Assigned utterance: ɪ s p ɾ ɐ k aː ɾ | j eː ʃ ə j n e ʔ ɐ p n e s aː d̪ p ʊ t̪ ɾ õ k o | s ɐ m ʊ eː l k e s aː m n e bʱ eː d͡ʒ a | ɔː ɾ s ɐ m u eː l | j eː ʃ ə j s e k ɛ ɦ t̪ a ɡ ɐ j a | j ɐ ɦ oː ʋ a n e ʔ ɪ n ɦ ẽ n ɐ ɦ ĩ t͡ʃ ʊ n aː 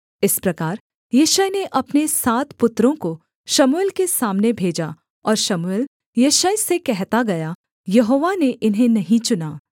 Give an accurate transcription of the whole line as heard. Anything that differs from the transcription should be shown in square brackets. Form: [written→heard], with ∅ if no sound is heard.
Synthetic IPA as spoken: ɪ s p ɾ ɐ k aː ɾ | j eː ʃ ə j n e ʔ ɐ p n e s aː [d̪→t̪] p ʊ t̪ ɾ õ k o | [s→ʃ] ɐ m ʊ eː l k e s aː m n e bʱ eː d͡ʒ a | ɔː ɾ [s→ʃ] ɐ m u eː l | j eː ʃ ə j s e k ɛ ɦ t̪ a ɡ ɐ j a | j ɐ ɦ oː ʋ a n e ʔ ɪ n ɦ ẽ n ɐ ɦ ĩ t͡ʃ ʊ n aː